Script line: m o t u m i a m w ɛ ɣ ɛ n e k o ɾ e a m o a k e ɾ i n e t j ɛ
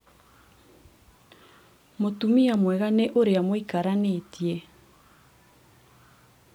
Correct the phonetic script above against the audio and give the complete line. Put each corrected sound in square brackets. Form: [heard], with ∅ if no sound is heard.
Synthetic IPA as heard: m o t u m i a m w ɛ ɣ [a] n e [ʔ] o ɾ e a m o [i] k [a] ɾ [a] n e t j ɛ